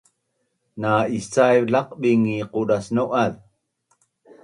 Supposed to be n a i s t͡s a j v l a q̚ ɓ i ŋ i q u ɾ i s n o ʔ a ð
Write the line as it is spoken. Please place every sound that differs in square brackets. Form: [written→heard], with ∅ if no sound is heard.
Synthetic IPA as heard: n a i s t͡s a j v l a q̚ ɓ i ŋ i q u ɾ [i→a] s n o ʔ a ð